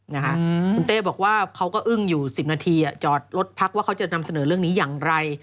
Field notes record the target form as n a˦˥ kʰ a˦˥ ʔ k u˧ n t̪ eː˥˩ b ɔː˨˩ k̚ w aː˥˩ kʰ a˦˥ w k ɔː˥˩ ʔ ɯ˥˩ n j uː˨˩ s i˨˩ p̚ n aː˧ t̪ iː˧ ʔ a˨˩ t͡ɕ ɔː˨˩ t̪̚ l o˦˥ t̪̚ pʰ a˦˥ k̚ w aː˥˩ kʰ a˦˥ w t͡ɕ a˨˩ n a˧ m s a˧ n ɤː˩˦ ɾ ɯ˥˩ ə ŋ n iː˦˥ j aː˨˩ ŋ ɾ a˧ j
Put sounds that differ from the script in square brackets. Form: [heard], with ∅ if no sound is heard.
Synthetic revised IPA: n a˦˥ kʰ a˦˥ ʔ k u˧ n t̪ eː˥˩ b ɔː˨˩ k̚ w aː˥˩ kʰ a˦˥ w k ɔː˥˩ ʔ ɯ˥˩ [ŋ] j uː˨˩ s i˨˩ p̚ n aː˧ [t̪ʰ] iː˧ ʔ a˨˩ t͡ɕ ɔː˨˩ t̪̚ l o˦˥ t̪̚ pʰ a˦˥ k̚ w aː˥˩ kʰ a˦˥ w t͡ɕ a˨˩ n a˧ m s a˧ n ɤː˩˦ ɾ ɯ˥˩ ə ŋ n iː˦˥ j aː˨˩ ŋ ɾ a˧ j